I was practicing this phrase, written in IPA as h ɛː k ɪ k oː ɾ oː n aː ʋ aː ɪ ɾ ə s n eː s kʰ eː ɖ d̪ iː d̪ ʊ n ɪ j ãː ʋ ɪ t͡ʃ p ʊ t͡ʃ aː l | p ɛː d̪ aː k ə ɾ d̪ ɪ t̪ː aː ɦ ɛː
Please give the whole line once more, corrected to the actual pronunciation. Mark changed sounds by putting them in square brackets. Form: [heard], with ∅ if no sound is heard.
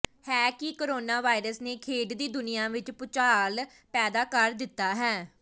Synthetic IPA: h ɛː k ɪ k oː ɾ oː n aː ʋ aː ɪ ɾ ə s n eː [∅] kʰ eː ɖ d̪ iː d̪ ʊ n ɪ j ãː ʋ ɪ t͡ʃ p ʊ t͡ʃ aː l | p ɛː d̪ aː k ə ɾ d̪ ɪ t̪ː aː ɦ ɛː